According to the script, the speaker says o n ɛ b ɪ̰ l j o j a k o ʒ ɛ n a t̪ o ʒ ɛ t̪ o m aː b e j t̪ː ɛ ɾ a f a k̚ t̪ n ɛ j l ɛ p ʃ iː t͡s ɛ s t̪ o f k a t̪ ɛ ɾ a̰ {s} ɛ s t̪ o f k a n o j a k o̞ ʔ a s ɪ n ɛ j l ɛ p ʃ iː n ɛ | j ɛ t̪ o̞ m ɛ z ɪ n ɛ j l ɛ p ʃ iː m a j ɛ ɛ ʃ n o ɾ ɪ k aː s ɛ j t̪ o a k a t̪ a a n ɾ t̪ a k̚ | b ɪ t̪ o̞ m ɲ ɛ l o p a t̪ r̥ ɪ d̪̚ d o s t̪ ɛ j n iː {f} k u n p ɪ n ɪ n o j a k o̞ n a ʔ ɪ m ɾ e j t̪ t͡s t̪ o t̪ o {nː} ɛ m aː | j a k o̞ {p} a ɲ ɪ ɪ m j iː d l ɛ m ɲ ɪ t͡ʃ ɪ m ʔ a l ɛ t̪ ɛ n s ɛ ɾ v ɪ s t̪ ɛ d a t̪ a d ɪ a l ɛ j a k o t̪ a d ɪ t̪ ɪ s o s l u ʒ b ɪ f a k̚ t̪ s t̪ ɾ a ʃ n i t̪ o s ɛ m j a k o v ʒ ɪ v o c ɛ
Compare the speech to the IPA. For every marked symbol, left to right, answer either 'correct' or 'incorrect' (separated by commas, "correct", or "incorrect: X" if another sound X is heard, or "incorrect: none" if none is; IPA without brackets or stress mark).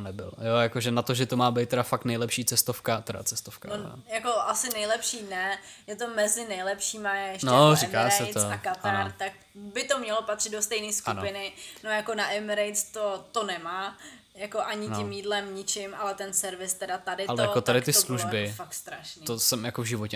incorrect: t͡s, incorrect: s, incorrect: n, incorrect: ʔ